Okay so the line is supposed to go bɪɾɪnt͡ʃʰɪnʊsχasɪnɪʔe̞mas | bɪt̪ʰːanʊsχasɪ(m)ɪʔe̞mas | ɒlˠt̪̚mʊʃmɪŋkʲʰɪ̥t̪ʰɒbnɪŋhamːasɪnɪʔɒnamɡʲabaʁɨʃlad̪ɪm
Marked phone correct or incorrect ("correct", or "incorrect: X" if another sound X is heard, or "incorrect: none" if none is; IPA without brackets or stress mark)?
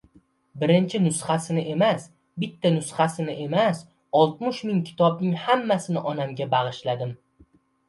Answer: incorrect: n